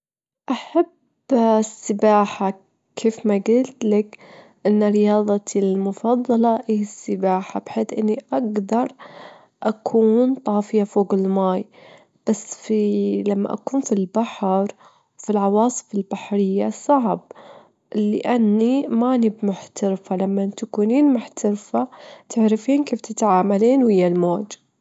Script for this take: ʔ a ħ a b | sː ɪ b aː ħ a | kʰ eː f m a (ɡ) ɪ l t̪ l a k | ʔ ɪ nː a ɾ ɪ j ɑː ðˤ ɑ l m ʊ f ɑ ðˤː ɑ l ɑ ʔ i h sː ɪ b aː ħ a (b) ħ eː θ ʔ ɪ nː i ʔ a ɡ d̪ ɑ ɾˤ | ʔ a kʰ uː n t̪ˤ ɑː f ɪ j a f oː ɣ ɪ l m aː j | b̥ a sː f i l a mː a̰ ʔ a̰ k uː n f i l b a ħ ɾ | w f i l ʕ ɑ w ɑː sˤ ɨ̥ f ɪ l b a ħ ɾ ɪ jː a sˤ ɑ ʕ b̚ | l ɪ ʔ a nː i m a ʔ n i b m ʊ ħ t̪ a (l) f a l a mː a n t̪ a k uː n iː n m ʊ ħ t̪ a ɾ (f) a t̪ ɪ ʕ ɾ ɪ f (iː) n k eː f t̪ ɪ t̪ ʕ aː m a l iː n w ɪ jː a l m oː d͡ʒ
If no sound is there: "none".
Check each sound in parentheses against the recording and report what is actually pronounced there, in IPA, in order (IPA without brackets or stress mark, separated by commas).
ɡ, b, ɾ, f, iː